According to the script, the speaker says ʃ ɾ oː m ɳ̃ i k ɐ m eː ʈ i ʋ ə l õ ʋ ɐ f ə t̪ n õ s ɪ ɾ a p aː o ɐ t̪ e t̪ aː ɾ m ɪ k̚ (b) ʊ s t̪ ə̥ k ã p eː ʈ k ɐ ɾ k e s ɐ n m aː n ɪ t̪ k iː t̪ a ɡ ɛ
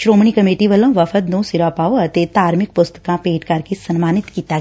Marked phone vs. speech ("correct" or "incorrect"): incorrect